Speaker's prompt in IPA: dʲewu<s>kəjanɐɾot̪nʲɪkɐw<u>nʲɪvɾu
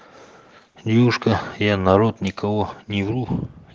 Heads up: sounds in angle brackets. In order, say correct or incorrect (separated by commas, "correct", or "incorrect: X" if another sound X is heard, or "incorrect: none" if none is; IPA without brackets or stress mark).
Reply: incorrect: ʂ, incorrect: o